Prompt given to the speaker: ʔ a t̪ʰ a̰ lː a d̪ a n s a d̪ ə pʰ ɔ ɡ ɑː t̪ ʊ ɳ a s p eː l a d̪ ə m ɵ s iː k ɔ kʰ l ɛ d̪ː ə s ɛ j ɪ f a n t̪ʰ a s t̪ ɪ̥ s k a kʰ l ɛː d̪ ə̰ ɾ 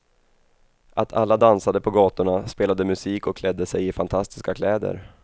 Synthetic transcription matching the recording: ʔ a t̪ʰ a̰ lː a d̪ a n s a d̪ ə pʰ ɔ ɡ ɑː t̪ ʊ ɳ a s p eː l a d̪ ə m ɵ s iː k ɔ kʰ l ɛ d̪ː ə s ɛ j ɪ f a n t̪ʰ a s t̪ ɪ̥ s k a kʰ l ɛː d̪ ə̰ ɾ